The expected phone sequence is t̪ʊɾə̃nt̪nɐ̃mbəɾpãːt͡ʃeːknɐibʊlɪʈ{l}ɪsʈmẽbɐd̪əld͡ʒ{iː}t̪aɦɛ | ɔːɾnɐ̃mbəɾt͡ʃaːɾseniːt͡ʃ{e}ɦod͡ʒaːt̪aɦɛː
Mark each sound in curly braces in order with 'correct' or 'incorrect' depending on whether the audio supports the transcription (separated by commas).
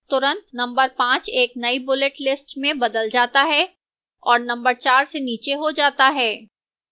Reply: correct, incorrect, correct